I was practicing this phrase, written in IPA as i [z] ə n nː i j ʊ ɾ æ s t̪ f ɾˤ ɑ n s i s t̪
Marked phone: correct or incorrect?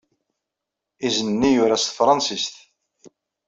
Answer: correct